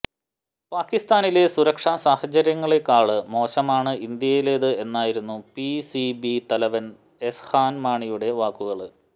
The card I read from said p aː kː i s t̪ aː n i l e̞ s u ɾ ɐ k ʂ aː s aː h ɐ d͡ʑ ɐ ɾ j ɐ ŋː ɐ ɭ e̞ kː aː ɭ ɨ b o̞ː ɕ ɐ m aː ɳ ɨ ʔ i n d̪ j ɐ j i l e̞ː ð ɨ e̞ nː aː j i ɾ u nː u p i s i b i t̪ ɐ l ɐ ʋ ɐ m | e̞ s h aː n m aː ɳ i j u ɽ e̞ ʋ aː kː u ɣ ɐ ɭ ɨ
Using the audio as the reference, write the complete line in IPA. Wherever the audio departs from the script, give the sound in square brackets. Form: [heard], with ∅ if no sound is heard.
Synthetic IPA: p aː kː i s t̪ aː n i l e̞ s u ɾ ɐ k ʂ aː s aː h ɐ d͡ʑ ɐ ɾ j ɐ ŋː ɐ ɭ e̞ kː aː ɭ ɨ [m] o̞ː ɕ ɐ m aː ɳ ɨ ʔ i n d̪ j ɐ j i l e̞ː ð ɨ e̞ nː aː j i ɾ u nː u p i s i b i t̪ ɐ l ɐ ʋ ɐ [n] | e̞ s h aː n m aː ɳ i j u ɽ e̞ ʋ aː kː u ɣ ɐ ɭ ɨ